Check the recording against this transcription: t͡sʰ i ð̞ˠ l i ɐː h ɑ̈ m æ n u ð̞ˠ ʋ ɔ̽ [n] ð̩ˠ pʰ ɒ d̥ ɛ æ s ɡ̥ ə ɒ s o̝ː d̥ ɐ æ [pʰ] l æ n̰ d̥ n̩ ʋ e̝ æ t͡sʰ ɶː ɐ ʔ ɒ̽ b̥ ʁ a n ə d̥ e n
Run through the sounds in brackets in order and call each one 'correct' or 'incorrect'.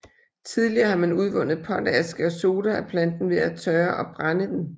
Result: correct, correct

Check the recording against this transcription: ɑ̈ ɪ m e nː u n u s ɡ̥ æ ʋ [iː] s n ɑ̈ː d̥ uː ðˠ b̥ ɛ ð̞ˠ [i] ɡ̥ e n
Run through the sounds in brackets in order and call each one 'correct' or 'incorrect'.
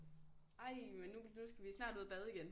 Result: incorrect: i, correct

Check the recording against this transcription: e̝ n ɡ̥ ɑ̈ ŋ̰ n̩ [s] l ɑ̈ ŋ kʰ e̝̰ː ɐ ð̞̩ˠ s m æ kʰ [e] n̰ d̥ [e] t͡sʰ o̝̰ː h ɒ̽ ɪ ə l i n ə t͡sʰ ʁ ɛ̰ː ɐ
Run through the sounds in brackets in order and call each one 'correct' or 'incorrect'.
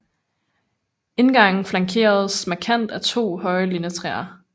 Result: incorrect: f, incorrect: æ, incorrect: æ

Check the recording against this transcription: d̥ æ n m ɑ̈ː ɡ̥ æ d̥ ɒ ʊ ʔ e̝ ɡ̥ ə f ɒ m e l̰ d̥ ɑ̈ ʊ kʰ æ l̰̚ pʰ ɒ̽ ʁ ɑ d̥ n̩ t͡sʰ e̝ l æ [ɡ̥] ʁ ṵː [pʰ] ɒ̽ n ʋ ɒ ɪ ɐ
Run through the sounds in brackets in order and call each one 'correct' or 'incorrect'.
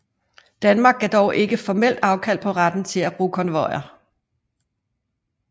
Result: incorrect: b̥, incorrect: kʰ

